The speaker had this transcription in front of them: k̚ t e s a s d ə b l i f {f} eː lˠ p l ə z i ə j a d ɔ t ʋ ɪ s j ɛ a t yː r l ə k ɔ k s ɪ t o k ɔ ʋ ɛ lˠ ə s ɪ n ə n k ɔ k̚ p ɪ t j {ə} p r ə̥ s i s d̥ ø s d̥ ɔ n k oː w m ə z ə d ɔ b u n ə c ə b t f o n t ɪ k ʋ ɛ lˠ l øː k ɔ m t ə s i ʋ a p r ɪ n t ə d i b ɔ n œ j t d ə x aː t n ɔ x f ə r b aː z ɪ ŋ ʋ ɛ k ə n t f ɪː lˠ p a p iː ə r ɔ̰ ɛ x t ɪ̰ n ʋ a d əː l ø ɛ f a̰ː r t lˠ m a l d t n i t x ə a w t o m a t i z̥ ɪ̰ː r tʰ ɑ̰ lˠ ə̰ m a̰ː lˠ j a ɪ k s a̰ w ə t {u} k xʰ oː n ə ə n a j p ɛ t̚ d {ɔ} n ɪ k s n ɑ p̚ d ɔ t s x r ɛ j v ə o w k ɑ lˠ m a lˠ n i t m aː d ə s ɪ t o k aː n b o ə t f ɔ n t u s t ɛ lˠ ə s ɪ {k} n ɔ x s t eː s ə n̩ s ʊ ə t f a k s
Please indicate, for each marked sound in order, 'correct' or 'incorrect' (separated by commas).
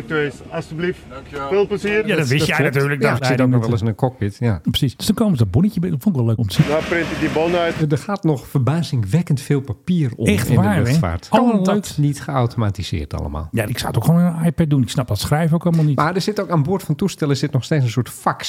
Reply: correct, incorrect, incorrect, incorrect, incorrect